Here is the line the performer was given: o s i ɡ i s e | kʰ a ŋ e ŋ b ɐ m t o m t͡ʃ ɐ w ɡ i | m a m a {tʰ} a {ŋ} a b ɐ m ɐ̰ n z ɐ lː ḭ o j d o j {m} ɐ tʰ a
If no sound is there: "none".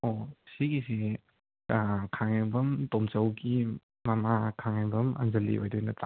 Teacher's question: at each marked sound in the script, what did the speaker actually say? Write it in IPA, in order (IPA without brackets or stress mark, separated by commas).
kʰ, ŋ, n